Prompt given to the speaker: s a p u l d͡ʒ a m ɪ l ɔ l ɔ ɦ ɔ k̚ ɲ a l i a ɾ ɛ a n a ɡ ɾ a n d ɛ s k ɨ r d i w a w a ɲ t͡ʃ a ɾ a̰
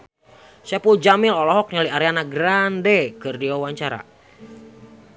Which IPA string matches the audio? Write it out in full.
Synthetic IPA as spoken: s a p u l d͡ʒ a m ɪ l ɔ l ɔ ɦ ɔ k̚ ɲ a l i a ɾ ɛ a n a ɡ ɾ a n d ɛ k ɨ r d i w a w a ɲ t͡ʃ a ɾ a̰